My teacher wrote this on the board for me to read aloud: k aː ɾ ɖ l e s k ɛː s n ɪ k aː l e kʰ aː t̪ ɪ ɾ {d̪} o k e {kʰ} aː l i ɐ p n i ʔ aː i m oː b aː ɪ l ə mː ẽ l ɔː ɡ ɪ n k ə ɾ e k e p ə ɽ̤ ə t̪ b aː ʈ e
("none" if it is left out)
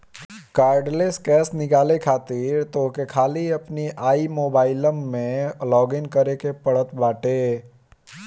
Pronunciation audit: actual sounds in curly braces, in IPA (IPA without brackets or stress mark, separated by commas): t̪, kʰ